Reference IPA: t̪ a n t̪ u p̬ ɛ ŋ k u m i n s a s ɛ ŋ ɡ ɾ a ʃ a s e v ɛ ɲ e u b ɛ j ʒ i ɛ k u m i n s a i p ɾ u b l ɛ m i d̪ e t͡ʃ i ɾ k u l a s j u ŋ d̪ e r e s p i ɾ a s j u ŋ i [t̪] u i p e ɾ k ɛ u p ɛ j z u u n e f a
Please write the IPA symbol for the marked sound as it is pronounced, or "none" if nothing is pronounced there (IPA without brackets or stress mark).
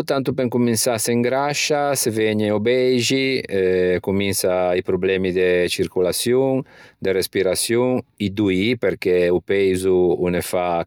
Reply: d̪